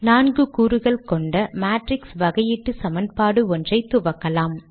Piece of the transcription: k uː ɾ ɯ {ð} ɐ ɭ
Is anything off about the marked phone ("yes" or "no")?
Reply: yes